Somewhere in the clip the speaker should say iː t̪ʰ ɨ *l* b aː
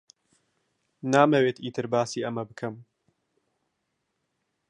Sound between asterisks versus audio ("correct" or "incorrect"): incorrect